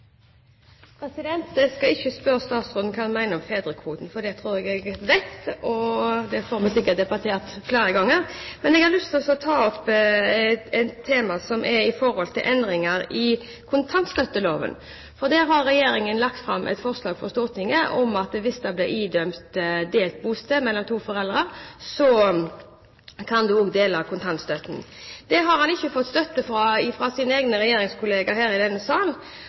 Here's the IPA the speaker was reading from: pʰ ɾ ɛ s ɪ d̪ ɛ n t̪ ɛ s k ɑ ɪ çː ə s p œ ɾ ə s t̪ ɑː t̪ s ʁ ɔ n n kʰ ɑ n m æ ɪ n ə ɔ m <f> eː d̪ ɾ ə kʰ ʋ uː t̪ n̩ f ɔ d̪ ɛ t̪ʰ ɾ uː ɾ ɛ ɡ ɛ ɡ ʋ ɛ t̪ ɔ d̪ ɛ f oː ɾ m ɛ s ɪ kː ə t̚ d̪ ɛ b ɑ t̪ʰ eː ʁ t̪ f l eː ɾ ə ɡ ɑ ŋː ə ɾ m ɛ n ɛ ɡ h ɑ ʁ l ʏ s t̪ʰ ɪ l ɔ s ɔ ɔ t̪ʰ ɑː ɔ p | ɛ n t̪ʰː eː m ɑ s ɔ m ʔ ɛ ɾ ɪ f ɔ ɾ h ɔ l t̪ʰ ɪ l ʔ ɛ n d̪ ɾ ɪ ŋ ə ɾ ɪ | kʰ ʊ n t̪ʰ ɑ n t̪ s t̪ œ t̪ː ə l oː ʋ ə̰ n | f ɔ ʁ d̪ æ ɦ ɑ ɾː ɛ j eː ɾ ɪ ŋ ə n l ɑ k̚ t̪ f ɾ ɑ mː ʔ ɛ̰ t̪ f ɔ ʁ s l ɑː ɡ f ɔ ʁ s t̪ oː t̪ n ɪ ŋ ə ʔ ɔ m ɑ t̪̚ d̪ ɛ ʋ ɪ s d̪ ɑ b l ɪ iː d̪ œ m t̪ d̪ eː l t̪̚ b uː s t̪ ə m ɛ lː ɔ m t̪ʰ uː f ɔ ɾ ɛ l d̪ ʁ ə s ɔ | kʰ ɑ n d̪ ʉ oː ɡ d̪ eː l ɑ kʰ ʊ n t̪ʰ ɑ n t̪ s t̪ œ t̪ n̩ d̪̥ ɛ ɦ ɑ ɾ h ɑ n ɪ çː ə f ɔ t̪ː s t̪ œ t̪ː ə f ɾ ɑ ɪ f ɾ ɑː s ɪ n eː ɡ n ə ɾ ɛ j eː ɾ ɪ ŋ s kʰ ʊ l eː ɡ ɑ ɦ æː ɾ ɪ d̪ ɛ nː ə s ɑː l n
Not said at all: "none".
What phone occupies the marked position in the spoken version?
f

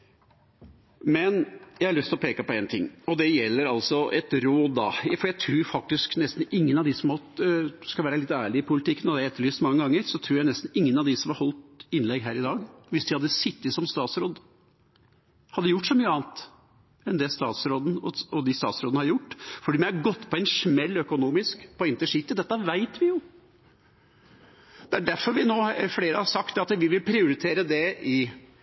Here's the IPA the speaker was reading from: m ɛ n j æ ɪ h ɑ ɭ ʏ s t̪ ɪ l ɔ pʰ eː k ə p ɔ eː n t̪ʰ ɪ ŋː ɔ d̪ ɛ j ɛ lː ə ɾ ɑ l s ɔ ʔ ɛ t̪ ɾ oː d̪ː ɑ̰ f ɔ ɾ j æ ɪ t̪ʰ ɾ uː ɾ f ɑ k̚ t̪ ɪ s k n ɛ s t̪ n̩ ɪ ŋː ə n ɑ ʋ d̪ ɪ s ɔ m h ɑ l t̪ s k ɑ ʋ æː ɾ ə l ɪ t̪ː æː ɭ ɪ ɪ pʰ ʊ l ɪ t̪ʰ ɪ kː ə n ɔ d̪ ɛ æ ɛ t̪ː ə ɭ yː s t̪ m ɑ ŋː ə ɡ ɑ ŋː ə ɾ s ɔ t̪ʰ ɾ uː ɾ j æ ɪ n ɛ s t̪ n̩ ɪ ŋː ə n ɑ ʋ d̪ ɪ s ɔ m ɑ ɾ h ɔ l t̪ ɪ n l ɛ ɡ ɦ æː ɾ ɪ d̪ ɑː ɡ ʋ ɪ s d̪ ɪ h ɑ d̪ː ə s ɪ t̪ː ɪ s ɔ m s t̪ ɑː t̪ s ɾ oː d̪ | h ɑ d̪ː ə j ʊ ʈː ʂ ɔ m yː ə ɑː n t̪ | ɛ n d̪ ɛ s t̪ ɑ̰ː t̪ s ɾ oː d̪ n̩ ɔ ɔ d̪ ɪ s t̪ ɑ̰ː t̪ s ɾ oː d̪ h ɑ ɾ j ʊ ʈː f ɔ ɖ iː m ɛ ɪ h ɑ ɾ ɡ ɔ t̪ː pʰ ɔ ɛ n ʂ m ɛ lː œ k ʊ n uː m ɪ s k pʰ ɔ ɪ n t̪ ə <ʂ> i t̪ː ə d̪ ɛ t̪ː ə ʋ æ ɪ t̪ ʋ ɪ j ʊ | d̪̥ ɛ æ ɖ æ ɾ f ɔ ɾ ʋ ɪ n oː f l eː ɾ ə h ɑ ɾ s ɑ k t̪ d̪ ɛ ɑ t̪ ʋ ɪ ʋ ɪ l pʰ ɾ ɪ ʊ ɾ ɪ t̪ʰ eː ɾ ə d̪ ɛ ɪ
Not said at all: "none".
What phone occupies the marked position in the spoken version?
ʂ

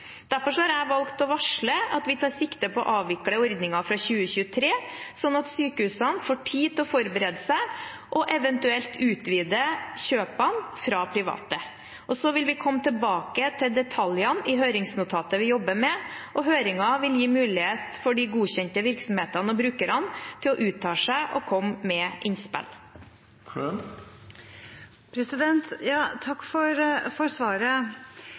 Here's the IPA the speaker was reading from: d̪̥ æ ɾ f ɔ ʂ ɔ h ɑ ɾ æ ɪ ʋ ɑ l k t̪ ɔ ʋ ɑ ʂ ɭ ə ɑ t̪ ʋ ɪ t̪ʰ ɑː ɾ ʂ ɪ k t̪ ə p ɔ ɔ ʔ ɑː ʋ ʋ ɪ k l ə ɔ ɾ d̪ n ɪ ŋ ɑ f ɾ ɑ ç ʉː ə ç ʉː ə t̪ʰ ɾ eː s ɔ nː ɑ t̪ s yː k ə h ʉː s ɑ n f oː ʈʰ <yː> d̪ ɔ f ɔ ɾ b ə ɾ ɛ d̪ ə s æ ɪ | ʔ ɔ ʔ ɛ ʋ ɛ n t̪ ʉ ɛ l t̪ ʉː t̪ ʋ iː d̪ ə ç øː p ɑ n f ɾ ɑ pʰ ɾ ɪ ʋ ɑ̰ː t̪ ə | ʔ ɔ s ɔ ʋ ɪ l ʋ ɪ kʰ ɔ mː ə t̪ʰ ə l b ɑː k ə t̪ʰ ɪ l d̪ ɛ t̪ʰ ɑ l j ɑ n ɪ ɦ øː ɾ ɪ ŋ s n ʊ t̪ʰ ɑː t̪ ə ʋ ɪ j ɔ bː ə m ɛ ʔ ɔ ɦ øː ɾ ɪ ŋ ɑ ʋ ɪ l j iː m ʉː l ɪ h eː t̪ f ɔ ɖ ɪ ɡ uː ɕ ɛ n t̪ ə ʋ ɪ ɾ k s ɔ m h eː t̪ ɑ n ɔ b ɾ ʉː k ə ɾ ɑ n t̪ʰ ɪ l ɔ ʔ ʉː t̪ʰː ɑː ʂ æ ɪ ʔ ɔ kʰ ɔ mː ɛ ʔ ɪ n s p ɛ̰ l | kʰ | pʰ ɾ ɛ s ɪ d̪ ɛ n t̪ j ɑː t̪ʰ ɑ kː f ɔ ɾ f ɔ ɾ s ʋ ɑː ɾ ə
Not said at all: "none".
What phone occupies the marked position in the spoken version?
iː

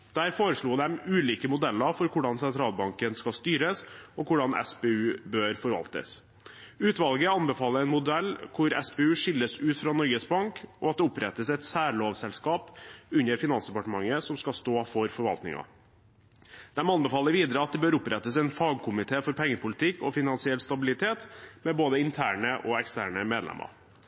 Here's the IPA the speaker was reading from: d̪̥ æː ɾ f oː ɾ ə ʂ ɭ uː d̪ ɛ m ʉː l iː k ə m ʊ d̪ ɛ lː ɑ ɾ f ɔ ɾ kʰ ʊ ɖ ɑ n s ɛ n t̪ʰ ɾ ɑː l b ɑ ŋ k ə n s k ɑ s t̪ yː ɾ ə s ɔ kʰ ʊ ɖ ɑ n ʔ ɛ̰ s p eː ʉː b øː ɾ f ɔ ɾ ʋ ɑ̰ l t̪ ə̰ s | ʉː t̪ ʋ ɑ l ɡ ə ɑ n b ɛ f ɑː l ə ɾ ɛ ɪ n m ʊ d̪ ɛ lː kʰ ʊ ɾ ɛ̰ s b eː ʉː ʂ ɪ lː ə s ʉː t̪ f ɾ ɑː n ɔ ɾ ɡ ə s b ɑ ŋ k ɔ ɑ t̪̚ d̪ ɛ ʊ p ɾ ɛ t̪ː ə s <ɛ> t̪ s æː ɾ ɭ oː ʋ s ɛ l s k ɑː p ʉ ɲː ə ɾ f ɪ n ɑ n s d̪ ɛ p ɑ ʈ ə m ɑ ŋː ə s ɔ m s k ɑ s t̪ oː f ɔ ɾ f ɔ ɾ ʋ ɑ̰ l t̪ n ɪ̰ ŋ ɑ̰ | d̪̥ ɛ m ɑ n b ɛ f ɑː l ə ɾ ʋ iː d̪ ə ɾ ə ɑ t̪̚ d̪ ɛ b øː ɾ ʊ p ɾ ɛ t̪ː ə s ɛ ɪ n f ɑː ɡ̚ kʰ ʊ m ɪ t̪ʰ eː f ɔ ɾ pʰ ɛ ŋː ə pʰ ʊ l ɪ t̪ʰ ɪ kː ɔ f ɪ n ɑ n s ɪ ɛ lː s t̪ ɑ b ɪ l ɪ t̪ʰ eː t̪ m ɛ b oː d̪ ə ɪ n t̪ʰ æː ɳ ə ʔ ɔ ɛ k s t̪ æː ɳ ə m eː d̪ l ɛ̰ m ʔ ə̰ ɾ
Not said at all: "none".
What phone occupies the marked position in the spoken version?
ɛ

